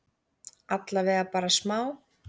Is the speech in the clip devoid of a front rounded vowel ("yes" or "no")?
yes